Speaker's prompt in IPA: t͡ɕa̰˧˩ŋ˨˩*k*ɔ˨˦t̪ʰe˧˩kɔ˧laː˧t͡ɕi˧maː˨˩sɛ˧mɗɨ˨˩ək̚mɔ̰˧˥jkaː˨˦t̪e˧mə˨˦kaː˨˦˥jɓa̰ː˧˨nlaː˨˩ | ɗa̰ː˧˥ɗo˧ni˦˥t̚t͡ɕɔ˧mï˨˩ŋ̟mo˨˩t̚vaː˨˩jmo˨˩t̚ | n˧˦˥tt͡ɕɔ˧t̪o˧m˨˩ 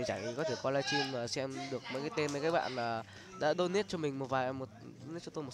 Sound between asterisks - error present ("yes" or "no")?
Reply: no